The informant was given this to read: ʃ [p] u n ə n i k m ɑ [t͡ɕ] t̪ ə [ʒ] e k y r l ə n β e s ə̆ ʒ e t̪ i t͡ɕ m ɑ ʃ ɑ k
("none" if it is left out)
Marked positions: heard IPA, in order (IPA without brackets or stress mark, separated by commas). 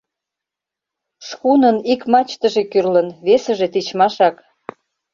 k, t͡ɕ, ʒ